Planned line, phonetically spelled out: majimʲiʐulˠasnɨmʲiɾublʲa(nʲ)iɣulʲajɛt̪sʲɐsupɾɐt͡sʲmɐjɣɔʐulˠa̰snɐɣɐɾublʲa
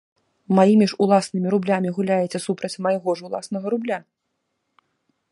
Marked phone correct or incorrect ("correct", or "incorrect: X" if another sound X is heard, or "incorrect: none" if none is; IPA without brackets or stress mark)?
incorrect: mʲ